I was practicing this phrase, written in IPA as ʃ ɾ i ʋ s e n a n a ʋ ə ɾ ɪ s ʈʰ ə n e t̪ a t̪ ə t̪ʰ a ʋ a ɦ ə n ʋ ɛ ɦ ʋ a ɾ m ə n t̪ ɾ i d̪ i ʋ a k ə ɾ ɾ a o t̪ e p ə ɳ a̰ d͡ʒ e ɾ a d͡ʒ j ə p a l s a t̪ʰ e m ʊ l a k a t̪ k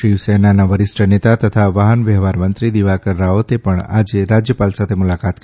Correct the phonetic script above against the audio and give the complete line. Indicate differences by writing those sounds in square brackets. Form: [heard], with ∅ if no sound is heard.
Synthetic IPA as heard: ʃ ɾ i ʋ s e n a n a ʋ ə ɾ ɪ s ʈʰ ə n e t̪ a t̪ ə t̪ʰ a ʋ a ɦ ə n ʋ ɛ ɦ ʋ a ɾ m ə n t̪ ɾ i d̪ i ʋ a k ə ɾ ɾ a o t̪ e p ə ɳ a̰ d͡ʒ e ɾ a d͡ʒ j ə p a l s a t̪ʰ e m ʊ l a k a t̪ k